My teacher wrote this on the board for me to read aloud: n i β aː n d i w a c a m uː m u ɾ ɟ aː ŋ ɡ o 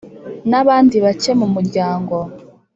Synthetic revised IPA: n a β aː n d i β a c e m u m u ɾ ɟ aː ŋ ɡ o